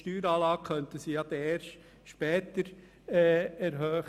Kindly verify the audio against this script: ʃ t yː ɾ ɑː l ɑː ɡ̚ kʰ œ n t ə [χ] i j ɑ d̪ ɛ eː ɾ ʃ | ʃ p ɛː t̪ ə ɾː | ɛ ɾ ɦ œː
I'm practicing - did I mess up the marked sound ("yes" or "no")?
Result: yes